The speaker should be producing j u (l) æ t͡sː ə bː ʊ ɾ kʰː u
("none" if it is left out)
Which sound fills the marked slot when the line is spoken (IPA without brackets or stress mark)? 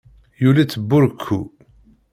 l